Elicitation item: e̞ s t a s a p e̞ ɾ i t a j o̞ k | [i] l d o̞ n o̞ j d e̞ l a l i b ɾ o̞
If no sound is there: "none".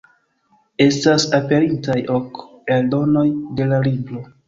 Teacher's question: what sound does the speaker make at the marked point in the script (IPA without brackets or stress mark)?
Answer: e